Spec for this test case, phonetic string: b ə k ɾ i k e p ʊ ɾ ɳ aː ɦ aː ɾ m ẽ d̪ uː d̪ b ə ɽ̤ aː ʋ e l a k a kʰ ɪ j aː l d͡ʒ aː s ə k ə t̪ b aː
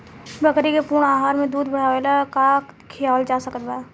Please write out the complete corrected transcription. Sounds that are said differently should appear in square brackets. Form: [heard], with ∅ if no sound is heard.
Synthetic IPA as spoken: b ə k ɾ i k e p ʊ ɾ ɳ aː ɦ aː ɾ m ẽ d̪ uː d̪ b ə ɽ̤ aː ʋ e l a k a kʰ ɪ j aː l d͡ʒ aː s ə k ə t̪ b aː